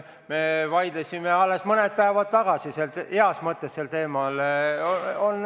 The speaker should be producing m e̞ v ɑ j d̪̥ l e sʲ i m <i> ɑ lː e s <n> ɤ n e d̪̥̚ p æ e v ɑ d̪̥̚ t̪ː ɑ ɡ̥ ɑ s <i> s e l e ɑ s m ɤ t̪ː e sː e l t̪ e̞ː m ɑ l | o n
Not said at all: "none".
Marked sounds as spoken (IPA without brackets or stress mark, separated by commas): e, m, i